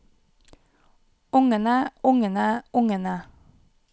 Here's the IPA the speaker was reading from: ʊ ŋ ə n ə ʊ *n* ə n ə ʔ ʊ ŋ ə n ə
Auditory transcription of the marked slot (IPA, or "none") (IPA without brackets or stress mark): ŋ